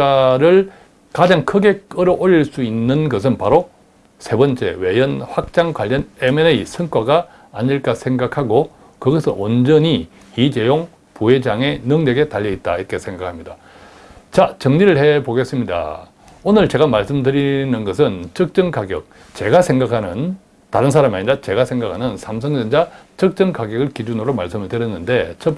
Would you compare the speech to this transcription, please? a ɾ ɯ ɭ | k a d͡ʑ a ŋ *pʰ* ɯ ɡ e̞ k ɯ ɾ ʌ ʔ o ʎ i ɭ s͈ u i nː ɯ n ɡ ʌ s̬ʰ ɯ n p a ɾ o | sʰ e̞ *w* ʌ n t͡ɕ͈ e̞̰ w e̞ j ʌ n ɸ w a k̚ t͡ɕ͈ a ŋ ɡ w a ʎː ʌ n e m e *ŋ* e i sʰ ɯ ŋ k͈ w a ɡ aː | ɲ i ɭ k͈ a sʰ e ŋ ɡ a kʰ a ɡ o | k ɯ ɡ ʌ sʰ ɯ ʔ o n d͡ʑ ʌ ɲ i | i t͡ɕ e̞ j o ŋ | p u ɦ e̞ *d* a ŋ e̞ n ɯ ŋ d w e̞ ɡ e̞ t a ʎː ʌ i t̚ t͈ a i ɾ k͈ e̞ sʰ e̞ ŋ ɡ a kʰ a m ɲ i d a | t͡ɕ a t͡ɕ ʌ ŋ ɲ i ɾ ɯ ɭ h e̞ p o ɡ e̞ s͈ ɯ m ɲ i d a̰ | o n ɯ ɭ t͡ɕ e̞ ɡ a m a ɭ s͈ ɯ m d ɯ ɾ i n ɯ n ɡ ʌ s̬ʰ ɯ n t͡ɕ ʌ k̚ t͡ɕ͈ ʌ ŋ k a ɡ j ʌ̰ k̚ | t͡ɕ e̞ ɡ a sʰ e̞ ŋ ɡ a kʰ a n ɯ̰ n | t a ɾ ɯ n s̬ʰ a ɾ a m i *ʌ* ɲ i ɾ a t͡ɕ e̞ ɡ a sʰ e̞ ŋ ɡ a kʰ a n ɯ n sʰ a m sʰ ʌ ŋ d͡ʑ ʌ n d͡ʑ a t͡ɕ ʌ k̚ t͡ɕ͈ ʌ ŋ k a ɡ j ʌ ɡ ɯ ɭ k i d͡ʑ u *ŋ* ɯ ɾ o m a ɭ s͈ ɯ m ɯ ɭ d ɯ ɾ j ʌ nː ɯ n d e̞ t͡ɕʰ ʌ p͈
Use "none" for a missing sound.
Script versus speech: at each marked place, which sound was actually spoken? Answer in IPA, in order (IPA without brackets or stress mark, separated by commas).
kʰ, b, n, d͡ʑ, a, n